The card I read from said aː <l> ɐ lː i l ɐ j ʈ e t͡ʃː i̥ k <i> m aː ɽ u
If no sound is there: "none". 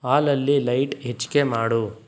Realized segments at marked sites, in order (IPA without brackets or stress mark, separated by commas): l, e